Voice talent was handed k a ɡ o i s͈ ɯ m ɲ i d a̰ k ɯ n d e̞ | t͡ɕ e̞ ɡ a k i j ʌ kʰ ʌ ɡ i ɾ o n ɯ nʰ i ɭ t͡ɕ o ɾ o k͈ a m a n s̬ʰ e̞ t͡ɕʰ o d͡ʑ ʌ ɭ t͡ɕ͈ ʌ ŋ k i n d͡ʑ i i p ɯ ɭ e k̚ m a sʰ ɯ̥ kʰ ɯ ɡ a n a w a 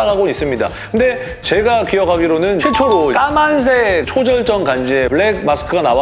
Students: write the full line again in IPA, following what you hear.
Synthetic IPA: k a ɡ o i s͈ ɯ m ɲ i d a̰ k ɯ n d e̞ | t͡ɕ e̞ ɡ a k i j ʌ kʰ a ɡ i ɾ o n ɯ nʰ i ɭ t͡ɕʰ o ɾ o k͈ a m a n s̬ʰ e̞ t͡ɕʰ o d͡ʑ ʌ ɭ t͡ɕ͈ ʌ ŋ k a n d͡ʑ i e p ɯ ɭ e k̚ m a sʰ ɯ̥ kʰ ɯ ɡ a n a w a